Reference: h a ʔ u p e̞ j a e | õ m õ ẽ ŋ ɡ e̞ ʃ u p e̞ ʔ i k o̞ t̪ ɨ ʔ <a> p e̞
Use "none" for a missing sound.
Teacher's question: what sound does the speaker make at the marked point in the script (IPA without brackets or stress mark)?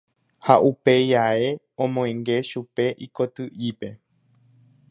i